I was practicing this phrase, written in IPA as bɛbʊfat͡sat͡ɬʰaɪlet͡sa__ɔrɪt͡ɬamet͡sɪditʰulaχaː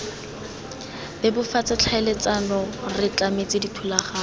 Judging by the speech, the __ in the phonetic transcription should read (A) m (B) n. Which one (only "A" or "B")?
B